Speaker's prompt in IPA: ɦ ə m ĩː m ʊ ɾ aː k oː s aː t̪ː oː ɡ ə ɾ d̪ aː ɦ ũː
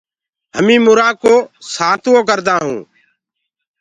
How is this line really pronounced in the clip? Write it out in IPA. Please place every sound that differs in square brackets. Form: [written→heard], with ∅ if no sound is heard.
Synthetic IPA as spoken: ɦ ə m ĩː m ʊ ɾ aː k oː s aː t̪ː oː [ɡ→k] ə ɾ d̪ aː ɦ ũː